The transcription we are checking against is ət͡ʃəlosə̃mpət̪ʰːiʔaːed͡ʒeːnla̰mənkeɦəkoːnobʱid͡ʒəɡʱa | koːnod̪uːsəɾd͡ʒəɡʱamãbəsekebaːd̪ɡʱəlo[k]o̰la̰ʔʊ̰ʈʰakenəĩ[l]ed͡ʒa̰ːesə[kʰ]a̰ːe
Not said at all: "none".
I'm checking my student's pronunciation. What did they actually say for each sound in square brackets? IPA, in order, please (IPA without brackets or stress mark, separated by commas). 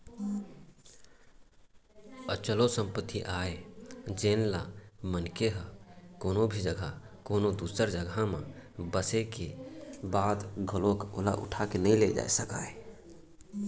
k, l, k